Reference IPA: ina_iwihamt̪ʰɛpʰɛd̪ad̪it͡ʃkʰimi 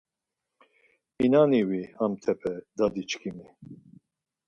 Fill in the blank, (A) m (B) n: B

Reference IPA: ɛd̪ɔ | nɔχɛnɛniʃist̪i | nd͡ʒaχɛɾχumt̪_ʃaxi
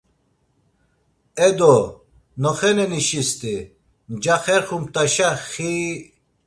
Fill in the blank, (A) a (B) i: A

